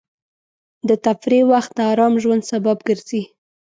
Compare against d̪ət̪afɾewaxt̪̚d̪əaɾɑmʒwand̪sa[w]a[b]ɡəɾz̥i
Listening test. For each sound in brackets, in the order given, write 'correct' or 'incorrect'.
incorrect, correct

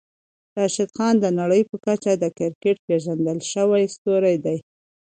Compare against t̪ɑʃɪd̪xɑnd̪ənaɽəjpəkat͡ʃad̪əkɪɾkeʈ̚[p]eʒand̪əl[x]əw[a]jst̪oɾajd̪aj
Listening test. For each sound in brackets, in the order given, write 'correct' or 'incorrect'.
correct, incorrect, correct

